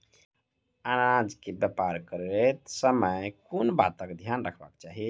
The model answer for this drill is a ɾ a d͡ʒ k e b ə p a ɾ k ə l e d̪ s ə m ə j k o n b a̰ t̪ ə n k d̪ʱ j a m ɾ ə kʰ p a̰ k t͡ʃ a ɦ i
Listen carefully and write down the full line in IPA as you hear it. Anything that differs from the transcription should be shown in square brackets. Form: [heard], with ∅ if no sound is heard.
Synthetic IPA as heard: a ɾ a d͡ʒ k e b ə p a ɾ k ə [ɾ] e [t̪] s ə m ə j k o n b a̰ t̪ ə [∅] k d̪ʱ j a [n] ɾ ə kʰ [b] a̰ k t͡ʃ a ɦ i